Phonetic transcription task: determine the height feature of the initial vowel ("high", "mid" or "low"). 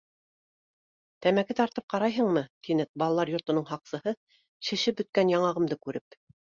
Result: low